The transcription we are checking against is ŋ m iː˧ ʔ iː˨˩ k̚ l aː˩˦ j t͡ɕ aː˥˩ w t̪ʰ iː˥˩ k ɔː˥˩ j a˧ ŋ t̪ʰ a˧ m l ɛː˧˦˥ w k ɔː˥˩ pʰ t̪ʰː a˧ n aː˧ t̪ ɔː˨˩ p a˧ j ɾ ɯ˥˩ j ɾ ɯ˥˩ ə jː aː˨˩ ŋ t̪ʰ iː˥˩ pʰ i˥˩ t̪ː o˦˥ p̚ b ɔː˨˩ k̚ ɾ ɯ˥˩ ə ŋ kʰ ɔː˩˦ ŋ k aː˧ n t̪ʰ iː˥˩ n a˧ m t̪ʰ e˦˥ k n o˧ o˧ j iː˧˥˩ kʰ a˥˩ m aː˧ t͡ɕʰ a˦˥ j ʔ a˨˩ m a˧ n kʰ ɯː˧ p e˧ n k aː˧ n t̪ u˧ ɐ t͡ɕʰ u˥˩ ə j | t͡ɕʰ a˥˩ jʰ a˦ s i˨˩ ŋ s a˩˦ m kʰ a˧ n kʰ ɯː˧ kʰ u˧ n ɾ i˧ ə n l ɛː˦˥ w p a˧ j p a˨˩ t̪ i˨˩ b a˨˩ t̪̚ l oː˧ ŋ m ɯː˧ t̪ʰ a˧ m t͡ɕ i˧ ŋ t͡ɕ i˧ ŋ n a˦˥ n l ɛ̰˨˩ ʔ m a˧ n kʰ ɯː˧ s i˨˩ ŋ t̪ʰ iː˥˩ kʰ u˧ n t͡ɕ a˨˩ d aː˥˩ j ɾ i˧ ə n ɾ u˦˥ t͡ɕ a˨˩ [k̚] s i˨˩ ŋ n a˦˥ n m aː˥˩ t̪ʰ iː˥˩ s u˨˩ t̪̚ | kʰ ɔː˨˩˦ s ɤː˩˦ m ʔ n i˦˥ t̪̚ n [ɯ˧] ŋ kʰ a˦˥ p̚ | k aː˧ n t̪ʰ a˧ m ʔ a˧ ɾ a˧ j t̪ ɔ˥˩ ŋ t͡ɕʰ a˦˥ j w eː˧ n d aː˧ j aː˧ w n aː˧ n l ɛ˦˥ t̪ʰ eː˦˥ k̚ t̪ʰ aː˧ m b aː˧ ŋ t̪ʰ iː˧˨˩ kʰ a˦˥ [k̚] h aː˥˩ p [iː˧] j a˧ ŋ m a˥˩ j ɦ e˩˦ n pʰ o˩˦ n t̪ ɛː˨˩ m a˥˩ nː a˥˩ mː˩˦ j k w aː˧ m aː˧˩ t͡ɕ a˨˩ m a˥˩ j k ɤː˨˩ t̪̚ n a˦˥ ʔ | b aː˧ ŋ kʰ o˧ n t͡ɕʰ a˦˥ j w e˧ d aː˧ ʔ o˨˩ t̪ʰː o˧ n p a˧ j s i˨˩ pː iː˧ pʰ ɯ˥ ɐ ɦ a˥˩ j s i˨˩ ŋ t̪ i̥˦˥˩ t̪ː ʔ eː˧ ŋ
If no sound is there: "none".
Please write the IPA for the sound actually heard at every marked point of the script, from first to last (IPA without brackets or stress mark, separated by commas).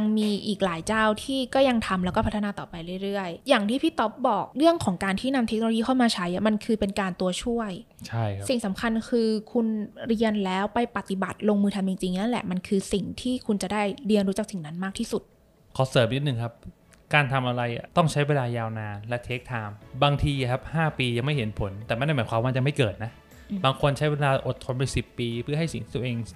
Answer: k̚, ɯ˨˩, p̚, iː˧